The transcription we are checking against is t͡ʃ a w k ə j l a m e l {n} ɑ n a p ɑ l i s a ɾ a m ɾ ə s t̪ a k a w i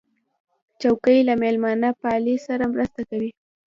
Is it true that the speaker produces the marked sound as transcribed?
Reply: no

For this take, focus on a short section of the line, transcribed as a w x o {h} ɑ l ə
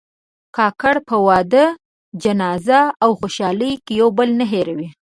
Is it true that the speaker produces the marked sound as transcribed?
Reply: no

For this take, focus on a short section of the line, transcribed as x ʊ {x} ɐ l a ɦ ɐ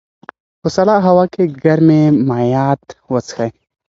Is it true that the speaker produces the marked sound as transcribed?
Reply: no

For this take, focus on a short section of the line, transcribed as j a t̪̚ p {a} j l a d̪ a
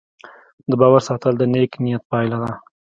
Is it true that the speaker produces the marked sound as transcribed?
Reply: no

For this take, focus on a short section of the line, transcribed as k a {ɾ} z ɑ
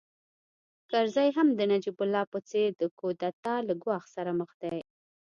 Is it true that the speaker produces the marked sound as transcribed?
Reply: yes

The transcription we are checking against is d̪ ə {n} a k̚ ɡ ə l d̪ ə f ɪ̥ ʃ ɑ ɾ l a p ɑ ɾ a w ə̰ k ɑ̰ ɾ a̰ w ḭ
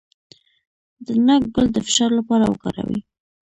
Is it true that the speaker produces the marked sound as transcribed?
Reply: yes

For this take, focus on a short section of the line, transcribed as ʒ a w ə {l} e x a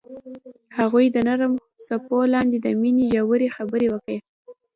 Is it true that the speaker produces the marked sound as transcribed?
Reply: no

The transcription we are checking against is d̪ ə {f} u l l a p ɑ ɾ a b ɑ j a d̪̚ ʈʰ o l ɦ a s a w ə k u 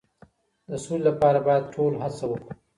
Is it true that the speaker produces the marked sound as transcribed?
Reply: no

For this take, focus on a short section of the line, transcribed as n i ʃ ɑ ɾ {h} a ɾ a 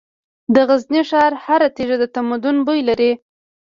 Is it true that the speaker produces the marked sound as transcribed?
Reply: yes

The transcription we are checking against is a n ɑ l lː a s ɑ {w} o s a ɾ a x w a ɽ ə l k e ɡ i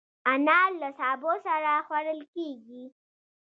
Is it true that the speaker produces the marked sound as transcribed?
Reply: no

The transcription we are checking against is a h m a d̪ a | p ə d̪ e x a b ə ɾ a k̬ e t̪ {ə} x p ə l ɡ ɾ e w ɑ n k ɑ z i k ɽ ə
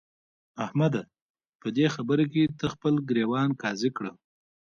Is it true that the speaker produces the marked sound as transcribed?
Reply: yes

